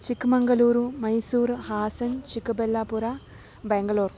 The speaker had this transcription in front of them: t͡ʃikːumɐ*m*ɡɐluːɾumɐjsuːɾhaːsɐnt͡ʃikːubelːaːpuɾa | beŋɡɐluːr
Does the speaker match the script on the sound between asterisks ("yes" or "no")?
no